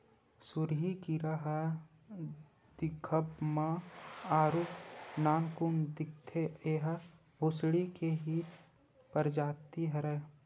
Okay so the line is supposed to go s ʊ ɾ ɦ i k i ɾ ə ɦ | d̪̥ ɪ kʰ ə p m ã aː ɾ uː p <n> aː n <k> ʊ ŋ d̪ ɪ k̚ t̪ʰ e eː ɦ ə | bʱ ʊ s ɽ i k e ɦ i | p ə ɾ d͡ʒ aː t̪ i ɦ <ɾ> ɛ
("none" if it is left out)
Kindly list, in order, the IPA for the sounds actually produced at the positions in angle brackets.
n, k, ɾ

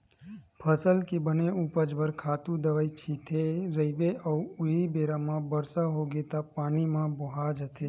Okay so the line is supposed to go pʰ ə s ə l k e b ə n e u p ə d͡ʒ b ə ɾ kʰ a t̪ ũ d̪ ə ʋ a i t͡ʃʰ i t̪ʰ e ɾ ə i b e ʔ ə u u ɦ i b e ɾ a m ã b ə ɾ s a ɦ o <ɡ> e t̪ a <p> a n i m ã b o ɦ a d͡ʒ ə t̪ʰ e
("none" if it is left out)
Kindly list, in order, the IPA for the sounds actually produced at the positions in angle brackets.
ɡ, p

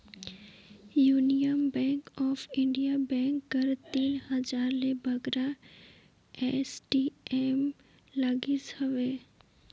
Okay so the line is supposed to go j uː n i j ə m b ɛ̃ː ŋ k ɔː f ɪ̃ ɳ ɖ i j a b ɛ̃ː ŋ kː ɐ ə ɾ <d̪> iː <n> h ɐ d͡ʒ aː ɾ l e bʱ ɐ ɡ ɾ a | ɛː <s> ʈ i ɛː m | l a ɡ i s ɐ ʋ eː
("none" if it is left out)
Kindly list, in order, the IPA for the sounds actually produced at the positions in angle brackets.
t̪, n, s

